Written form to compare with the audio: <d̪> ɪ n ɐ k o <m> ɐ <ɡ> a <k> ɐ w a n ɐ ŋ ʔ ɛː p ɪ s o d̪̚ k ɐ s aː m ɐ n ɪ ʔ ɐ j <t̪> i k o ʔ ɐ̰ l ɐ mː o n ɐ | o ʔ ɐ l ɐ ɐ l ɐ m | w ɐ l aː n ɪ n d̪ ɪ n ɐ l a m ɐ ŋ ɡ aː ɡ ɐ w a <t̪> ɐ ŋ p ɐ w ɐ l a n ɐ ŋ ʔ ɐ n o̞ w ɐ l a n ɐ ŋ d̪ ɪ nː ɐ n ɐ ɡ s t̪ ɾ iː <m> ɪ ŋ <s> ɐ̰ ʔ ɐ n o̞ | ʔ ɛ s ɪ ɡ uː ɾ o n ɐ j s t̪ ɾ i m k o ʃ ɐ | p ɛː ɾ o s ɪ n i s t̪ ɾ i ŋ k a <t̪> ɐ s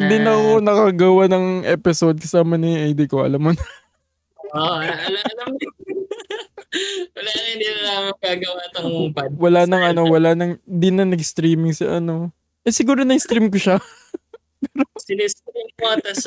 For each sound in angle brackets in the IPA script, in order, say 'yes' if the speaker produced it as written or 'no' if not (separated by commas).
yes, no, no, no, no, yes, yes, yes, yes